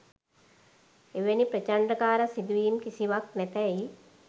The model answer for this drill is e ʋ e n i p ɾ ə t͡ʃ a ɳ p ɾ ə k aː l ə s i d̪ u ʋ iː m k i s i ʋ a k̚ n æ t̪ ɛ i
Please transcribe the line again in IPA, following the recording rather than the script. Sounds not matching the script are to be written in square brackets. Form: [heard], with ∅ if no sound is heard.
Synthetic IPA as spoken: e ʋ e n i p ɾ ə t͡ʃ a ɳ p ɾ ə k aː [ɾ] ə s i d̪ u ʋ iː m k i s i ʋ a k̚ n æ t̪ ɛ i